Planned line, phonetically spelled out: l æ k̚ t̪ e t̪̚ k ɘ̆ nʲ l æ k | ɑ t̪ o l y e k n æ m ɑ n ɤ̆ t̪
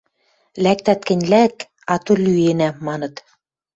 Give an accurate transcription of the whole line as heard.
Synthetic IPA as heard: l æ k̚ t̪ æ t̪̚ k ɘ̆ nʲ l æ k | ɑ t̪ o l y e n æ m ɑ n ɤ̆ t̪